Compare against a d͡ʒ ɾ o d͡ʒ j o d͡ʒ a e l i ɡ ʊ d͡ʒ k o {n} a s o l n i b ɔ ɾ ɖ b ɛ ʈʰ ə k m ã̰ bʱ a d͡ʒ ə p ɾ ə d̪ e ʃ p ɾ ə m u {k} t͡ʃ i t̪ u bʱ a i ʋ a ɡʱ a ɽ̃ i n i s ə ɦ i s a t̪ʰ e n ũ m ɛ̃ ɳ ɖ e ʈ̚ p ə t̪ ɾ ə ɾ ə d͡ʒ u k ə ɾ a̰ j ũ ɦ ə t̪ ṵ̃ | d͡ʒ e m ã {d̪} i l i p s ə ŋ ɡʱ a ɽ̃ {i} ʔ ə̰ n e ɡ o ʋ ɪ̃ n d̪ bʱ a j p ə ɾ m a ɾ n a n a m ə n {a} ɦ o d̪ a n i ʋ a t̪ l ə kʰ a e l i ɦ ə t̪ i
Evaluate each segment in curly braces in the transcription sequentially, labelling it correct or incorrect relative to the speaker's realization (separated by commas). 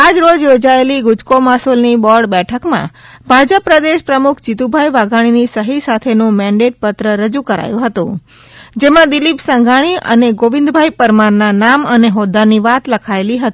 incorrect, incorrect, correct, correct, incorrect